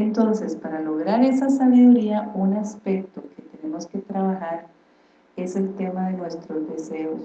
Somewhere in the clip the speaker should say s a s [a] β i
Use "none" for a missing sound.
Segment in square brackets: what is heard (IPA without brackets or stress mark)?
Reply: a